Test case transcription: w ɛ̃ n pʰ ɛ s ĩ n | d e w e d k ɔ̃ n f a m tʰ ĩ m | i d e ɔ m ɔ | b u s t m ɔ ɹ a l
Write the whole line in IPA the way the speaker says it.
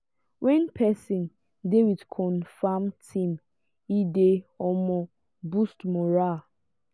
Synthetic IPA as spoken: w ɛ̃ n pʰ ɛ s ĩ n | d e w i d kʰ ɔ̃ n f a m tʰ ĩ m | i d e ɔ m ɔ | b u s t m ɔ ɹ a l